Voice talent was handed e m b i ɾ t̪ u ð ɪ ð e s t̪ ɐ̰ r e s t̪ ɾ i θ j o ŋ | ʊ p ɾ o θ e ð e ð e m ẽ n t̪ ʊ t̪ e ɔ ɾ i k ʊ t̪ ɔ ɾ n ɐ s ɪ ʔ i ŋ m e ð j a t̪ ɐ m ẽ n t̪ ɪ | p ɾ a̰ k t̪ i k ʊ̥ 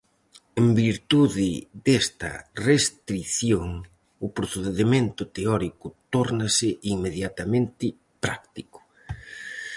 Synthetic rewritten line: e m b i ɾ t̪ u ð ɪ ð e s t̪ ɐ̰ r e s t̪ ɾ i θ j o ŋ | ʊ p ɾ o θ e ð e ð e m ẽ n t̪ ʊ t̪ e ɔ ɾ i k ʊ t̪ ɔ ɾ n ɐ s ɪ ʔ i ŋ m e ð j a t̪ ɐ m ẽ n t̪ ɪ | p ɾ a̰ k t̪ i k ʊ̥